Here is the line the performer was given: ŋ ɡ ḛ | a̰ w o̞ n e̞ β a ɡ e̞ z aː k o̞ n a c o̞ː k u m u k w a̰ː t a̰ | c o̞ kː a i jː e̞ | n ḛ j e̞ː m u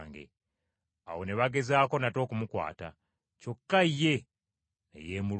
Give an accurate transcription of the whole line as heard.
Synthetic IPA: ŋ ɡ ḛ | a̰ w o̞ n e̞ β a ɡ e̞ z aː k o̞ n a t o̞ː k u m u k w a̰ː t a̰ | c o̞ kː a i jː e̞ | n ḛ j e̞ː m u

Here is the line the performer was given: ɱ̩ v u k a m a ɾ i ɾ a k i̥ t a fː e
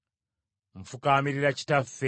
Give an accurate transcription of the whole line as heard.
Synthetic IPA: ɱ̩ f u k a m i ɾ i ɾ a c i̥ t a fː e

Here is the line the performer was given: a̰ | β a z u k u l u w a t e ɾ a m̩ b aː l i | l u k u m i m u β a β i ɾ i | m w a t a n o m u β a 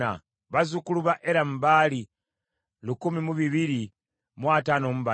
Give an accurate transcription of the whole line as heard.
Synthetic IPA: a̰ | β a z u k u l u β a ʔ e ɾ a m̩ b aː l i | l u k u m i m u β i β i ɾ i | m w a t a n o m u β a

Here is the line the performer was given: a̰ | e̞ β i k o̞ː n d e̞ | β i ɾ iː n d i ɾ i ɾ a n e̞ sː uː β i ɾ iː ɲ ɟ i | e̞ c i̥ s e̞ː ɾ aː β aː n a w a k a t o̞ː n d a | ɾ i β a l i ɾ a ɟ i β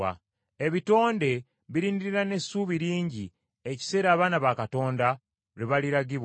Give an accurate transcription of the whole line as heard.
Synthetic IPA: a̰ | e̞ β i t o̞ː n d e̞ | β i ɾ iː n d i ɾ i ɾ a n e̞ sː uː β i ɾ iː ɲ ɟ i | e̞ c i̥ s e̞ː ɾ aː β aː n a β a k a t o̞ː n d a | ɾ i β a l i ɾ a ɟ i β

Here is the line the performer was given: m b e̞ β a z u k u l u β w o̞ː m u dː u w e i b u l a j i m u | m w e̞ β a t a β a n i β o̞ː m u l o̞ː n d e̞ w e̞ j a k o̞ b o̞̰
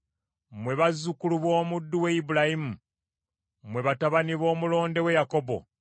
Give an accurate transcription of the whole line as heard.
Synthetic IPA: m w e̞ β a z u k u l u β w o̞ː m u dː u w e i b u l a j i m u | m w e̞ β a t a β a n i β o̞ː m u l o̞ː n d e̞ w e̞ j a k o̞ b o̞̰

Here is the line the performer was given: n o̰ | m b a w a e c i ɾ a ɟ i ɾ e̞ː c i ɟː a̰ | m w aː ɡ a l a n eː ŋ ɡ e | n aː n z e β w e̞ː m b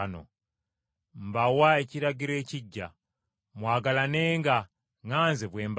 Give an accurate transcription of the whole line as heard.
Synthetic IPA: n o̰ | m b a w a e c i ɾ a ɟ i ɾ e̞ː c i ɟː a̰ | m w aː ɡ a l a n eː ŋ ɡ a | ŋ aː n z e β w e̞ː m b

